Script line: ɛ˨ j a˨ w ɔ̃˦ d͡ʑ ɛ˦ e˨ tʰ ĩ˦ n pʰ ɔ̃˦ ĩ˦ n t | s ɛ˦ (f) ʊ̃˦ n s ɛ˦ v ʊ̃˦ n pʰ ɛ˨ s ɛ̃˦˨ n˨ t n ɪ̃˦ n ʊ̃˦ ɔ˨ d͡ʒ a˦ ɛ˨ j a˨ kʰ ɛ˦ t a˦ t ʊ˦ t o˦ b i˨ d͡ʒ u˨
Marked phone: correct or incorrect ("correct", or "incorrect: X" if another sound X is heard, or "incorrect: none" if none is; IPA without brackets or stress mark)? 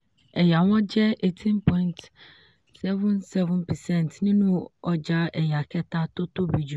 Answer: incorrect: v